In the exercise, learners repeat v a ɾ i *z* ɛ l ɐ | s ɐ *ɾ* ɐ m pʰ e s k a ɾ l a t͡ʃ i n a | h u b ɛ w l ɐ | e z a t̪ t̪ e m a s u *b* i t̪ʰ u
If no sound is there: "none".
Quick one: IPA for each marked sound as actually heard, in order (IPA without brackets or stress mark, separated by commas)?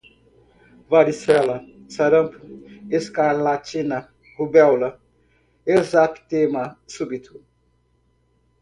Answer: s, ɾ, b